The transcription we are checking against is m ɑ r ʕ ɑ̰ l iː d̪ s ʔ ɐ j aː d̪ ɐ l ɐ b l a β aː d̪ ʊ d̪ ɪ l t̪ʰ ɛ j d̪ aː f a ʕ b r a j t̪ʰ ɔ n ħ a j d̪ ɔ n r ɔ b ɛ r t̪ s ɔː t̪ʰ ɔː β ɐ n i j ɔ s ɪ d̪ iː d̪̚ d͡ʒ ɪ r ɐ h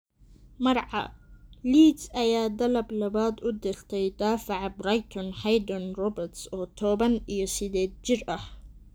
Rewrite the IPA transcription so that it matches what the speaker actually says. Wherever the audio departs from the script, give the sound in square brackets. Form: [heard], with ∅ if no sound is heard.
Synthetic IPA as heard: m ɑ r ʕ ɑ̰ l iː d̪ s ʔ ɐ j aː d̪ ɐ l ɐ b l [ɐ] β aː d̪ ʊ d̪ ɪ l t̪ʰ ɛ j d̪ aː f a ʕ b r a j t̪ʰ ɔ n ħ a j d̪ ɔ n r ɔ b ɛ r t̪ s ɔː t̪ʰ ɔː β ɐ n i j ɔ s ɪ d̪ [ɛː] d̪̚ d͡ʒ ɪ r ɐ h